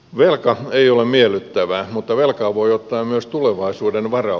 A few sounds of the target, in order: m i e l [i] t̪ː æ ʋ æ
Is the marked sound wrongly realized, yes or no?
yes